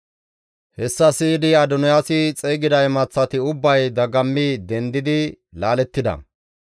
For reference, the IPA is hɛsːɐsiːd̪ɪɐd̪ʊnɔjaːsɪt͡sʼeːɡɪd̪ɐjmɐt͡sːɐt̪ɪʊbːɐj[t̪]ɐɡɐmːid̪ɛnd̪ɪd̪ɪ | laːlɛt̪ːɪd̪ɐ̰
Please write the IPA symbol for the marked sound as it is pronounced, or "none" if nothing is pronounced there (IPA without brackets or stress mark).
d̪